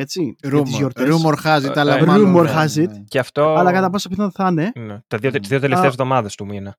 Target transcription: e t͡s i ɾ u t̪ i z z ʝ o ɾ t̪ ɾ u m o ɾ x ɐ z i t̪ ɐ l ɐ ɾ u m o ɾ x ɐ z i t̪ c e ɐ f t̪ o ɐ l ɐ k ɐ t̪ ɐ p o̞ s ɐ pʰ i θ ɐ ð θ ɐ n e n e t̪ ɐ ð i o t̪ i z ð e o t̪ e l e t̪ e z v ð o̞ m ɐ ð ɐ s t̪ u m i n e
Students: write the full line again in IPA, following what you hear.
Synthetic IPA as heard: e t͡s i ɾ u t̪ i z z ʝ o ɾ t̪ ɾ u m o ɾ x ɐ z i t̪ ɐ l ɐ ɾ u m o ɾ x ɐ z i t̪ c e ɐ f t̪ o ɐ l ɐ k ɐ t̪ ɐ p o̞ s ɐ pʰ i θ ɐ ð θ ɐ n e n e t̪ ɐ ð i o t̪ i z ð i o t̪ e l e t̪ e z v ð o̞ m ɐ ð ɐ s t̪ u m i n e